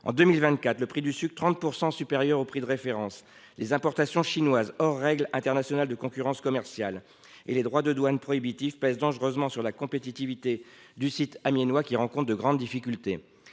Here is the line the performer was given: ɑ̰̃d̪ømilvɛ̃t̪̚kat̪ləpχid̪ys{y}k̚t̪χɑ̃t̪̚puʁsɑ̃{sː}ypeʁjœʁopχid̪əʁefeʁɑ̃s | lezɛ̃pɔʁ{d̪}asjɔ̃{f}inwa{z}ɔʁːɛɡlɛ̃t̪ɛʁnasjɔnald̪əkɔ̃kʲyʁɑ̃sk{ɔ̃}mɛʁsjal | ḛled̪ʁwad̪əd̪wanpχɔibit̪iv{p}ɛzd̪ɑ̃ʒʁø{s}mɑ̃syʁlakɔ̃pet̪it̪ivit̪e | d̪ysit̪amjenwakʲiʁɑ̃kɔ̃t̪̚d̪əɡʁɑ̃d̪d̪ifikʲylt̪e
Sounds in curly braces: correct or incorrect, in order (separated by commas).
correct, incorrect, incorrect, incorrect, correct, incorrect, correct, incorrect